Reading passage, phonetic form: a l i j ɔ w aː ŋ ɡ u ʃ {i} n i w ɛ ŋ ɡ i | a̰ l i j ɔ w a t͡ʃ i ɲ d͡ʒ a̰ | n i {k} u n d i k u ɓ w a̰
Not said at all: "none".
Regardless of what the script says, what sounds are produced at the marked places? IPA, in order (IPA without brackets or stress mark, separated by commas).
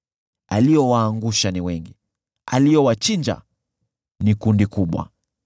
a, k